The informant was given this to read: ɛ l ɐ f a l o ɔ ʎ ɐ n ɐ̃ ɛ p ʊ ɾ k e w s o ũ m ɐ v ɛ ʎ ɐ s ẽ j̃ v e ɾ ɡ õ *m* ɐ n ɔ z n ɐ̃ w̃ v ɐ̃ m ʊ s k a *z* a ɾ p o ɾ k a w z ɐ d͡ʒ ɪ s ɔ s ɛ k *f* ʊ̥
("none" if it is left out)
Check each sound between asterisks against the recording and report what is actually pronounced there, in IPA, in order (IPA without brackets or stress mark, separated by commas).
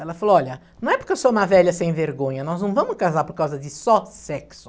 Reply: ɲ, z, s